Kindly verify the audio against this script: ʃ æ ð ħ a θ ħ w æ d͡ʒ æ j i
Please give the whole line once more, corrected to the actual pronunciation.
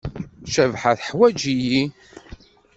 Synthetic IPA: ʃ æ v ħ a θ ħ w æ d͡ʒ i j i